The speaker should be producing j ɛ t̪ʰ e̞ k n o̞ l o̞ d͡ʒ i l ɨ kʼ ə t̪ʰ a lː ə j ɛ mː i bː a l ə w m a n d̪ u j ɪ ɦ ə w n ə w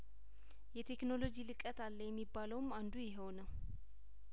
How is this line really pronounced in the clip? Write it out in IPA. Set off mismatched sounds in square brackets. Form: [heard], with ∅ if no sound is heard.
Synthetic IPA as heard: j ɛ t̪ʰ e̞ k n o̞ l o̞ d͡ʒ i l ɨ kʼ ə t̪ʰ a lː ə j ɛ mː i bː a l ə w m a n d̪ u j ɪ ɦ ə w n ə w